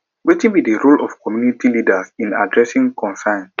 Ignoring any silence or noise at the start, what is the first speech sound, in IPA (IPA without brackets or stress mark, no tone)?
w